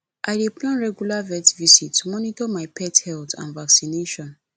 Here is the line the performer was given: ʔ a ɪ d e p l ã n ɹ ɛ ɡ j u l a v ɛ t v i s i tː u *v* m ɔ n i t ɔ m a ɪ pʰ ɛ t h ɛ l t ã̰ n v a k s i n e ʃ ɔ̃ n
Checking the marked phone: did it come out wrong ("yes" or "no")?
yes